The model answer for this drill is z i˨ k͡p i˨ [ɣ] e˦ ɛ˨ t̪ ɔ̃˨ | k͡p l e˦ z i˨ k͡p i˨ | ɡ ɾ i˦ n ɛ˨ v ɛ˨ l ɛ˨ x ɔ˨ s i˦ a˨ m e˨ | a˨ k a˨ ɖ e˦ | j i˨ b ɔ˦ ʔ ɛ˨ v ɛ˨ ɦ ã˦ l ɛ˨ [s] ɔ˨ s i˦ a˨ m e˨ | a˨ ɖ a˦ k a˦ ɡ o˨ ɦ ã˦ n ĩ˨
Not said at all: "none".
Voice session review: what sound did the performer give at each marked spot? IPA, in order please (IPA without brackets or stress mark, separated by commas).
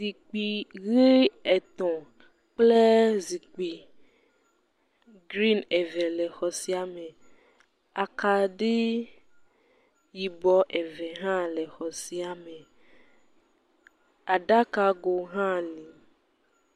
ɣ, x